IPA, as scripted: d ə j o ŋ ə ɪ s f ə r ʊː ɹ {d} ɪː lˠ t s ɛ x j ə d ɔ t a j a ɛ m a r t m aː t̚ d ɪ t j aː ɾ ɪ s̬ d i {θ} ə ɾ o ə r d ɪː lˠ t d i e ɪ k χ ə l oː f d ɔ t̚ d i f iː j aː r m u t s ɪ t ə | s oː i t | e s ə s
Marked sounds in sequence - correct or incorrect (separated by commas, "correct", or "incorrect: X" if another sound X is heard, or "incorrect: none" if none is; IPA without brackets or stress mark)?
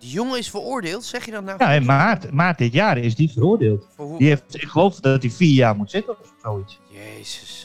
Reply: correct, incorrect: f